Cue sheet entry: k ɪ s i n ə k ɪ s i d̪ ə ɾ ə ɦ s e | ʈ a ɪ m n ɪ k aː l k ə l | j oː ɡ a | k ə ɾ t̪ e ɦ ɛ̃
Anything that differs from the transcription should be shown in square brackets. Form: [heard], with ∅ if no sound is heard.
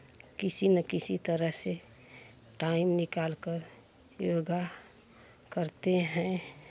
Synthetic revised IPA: k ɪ s i n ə k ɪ s i [t̪] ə ɾ ə ɦ s e | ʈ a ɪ m n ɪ k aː l k ə [ɾ] | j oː ɡ a | k ə ɾ t̪ e ɦ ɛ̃